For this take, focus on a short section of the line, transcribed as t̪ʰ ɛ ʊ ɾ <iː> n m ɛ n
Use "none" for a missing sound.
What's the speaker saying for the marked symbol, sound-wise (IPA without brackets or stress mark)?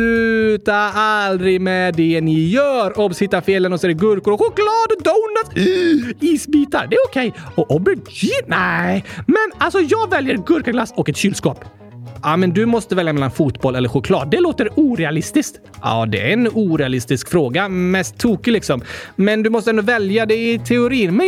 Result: iː